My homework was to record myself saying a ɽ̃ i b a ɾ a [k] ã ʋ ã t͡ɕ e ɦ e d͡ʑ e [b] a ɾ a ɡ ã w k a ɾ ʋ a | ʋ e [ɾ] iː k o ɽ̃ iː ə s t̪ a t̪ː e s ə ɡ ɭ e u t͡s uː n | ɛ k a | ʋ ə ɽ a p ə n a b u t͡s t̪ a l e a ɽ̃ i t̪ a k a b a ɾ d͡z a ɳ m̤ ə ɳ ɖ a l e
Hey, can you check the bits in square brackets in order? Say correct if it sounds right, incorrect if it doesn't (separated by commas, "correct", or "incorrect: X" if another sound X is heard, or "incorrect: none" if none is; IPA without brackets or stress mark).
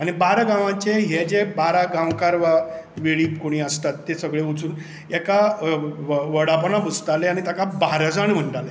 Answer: incorrect: ɡ, correct, incorrect: ɭ